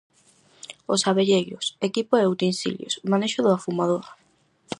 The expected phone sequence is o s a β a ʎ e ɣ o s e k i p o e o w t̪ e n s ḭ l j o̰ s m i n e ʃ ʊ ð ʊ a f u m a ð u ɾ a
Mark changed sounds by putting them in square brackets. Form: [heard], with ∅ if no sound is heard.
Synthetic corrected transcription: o s a β [e] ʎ e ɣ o s e k i p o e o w t̪ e n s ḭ l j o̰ s m [a] n e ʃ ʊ ð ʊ a f u m a ð [o] ɾ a